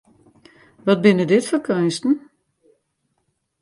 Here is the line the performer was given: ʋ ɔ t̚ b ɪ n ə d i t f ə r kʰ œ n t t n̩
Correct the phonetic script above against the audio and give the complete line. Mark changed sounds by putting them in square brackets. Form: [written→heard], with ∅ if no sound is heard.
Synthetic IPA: ʋ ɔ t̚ b ɪ n ə d [i→ɪ] t f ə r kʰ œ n [t→s] t n̩